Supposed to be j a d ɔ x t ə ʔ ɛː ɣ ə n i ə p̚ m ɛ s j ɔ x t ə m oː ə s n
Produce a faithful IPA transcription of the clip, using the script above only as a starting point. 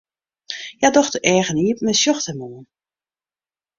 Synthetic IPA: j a d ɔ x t ə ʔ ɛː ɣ ə n i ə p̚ m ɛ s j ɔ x t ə m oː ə n